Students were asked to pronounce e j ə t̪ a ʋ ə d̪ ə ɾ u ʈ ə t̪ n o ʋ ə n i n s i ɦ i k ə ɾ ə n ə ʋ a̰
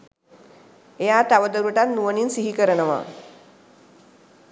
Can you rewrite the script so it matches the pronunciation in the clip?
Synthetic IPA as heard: e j a t̪ a ʋ ə d̪ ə ɾ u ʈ a t̪ n u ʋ ə n i n s i ɦ i k ə ɾ ə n ə ʋ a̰